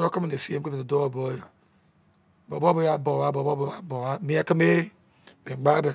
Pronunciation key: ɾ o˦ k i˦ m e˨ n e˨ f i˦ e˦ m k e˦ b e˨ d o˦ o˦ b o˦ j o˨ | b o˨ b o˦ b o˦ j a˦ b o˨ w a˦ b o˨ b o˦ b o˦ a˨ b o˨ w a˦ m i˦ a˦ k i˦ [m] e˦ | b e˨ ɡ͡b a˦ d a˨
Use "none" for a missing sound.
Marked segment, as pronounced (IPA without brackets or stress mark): m